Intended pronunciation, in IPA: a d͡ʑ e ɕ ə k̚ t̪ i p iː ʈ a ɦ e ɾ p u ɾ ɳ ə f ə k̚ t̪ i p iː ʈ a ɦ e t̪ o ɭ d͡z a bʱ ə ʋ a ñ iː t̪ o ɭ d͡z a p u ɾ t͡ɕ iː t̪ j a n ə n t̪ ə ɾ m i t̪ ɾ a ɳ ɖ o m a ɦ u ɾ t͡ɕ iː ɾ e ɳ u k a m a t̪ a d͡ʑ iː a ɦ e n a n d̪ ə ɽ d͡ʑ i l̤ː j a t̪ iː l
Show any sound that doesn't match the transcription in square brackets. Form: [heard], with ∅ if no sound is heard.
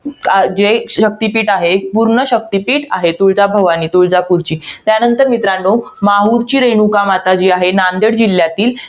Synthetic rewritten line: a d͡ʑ e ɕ ə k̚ t̪ i p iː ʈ a ɦ e [∅] p u ɾ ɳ ə [ɕ] ə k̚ t̪ i p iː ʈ a ɦ e t̪ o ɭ d͡z a bʱ ə ʋ a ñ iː t̪ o ɭ d͡z a p u ɾ t͡ɕ iː t̪ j a n ə n t̪ ə ɾ m i t̪ ɾ a ɳ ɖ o m a ɦ u ɾ t͡ɕ iː ɾ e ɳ u k a m a t̪ a d͡ʑ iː a ɦ e n a n d̪ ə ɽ d͡ʑ i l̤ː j a t̪ iː l